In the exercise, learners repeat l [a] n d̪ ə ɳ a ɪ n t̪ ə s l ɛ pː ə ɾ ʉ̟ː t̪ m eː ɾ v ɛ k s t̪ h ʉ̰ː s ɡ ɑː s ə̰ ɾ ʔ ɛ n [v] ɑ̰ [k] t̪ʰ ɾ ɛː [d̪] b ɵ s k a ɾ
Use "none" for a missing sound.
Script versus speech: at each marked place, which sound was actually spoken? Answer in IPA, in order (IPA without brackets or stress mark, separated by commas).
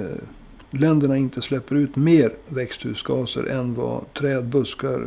ɛ, v, none, d̪